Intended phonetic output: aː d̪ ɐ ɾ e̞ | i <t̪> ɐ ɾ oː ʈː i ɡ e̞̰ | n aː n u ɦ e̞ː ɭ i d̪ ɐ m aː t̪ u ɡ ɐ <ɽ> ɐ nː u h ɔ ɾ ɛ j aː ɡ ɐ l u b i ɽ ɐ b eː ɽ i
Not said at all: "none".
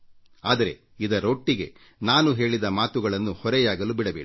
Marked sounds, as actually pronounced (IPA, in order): d̪, ɭ

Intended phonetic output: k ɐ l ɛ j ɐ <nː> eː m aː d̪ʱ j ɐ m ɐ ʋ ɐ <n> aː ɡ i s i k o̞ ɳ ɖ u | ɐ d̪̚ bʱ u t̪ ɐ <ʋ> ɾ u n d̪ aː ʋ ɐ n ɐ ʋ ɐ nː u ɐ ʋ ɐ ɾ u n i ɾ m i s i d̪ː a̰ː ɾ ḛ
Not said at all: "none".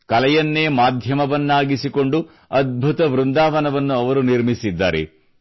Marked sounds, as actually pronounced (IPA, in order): nː, nː, ʋ

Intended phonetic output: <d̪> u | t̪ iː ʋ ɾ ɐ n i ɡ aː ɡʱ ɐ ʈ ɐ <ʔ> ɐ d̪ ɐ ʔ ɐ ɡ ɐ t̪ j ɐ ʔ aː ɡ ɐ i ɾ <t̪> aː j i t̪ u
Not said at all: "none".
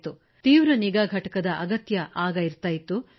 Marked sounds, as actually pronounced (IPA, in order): t̪, k, t̪

